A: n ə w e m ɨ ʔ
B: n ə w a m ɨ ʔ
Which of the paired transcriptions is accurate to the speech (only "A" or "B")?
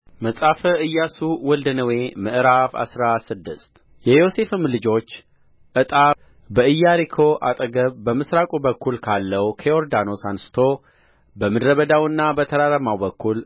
A